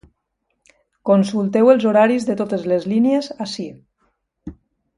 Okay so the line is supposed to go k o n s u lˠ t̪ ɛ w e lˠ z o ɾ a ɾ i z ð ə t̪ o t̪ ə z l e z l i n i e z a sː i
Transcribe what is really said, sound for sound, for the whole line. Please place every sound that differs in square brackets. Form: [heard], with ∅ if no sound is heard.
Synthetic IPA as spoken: k o n s u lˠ t̪ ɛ w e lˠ z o ɾ a ɾ i z ð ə t̪ o t̪ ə z l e z l i n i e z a [s] i